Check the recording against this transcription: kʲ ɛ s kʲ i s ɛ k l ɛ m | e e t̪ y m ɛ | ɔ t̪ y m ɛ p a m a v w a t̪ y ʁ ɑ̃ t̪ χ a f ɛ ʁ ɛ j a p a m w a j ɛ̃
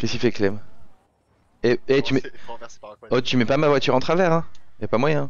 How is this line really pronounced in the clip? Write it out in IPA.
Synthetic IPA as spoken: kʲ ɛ s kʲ i f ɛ k l ɛ m | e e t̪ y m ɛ | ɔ t̪ y m ɛ p a m a v w a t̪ y ʁ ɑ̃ t̪ χ a v ɛ ʁ ɛ̃ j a p a m w a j ɛ̃